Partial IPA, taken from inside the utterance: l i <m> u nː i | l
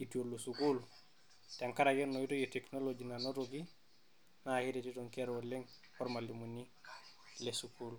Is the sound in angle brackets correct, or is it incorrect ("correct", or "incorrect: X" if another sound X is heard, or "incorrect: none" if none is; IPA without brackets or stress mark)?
correct